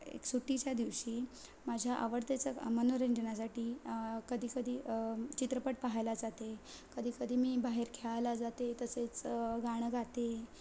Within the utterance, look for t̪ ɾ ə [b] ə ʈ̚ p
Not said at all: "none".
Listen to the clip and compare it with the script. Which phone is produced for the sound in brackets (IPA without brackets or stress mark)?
p